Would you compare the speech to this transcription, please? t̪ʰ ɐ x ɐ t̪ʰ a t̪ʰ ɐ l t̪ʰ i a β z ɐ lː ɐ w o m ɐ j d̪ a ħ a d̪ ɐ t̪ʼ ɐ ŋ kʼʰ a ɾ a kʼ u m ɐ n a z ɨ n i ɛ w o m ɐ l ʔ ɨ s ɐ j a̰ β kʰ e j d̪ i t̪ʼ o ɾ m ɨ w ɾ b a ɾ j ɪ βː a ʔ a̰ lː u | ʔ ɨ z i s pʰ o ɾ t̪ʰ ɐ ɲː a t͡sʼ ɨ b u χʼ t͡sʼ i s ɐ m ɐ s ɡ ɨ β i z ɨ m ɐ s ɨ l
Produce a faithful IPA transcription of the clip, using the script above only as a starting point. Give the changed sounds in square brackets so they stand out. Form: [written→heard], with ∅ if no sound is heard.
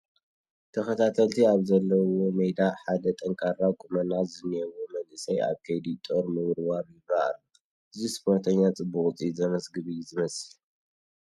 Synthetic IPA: t̪ʰ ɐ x ɐ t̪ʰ a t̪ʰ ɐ l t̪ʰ i a β z ɐ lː ɐ w o m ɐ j d̪ a ħ a d̪ ɐ t̪ʼ ɐ ŋ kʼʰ a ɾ a kʼ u m ɐ n a z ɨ n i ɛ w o m ɐ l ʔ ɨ s ɐ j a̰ β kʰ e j d̪ i t̪ʼ o ɾ m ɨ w ɾ [b→w] a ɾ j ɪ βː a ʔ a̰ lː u | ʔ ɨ z i s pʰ o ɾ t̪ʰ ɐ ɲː a t͡sʼ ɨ b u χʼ t͡sʼ i [s→z] ɐ m ɐ s ɡ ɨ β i z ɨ m ɐ s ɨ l